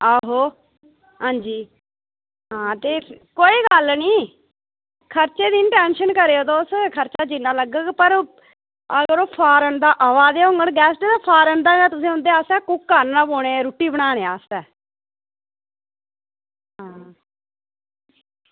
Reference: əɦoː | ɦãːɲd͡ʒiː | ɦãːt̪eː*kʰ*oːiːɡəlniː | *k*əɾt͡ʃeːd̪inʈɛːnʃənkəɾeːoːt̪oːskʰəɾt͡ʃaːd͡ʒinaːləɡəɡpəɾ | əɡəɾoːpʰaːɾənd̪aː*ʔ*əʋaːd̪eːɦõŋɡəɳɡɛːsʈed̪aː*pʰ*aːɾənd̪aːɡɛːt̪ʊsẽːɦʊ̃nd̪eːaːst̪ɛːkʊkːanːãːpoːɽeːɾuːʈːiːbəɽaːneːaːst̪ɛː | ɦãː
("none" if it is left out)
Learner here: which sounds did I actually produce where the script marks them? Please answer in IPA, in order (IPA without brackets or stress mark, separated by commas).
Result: k, kʰ, ʔ, pʰ